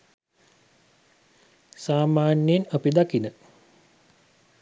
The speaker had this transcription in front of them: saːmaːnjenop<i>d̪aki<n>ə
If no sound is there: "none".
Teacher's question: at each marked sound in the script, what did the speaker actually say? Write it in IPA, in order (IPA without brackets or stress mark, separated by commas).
i, n